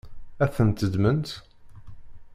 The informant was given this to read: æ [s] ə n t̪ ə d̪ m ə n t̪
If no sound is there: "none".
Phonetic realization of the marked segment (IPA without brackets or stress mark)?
θ